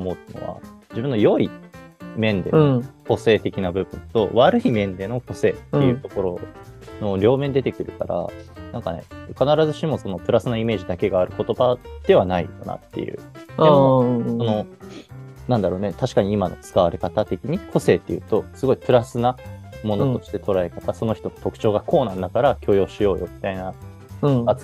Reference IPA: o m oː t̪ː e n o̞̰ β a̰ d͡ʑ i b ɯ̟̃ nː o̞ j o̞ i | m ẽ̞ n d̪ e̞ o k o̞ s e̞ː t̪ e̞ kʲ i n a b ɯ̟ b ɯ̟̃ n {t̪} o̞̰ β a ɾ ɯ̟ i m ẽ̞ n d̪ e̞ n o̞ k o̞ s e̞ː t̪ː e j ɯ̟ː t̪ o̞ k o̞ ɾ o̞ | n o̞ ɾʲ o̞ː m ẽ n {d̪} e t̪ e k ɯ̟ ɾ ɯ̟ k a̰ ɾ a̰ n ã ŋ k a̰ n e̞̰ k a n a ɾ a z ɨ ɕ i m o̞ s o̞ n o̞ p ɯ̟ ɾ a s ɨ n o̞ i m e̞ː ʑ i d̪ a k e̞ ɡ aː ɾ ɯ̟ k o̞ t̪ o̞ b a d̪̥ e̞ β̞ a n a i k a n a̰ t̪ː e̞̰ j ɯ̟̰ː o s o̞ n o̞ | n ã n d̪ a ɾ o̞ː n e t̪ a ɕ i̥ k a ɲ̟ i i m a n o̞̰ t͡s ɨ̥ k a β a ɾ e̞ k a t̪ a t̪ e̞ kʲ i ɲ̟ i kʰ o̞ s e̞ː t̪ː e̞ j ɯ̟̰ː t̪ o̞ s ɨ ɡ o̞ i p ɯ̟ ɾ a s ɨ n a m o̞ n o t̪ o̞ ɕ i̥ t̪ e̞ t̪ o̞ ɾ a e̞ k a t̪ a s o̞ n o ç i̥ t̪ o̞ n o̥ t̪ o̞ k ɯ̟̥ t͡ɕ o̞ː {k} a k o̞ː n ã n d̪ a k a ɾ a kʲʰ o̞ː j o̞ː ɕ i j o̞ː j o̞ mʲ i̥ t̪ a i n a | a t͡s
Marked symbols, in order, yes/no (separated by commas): yes, yes, no